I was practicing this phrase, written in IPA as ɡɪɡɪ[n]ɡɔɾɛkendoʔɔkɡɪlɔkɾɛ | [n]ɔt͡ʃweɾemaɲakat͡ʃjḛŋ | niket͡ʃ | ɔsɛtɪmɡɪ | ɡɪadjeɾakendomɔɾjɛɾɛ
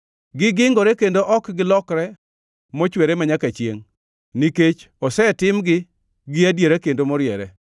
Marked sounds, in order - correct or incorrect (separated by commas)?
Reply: incorrect, incorrect